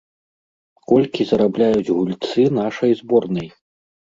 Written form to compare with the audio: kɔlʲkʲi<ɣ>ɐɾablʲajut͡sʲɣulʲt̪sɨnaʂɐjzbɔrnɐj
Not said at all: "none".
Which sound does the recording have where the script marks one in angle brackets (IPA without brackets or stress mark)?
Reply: z